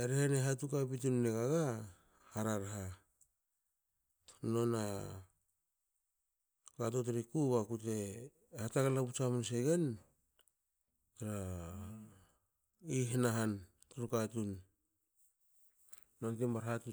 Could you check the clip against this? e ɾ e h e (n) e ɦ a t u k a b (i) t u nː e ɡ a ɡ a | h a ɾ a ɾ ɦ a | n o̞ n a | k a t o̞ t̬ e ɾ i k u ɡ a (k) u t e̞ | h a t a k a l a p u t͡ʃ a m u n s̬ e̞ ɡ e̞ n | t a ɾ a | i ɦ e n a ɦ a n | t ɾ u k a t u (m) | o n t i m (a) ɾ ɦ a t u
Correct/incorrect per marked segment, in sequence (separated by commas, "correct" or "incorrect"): correct, correct, correct, incorrect, correct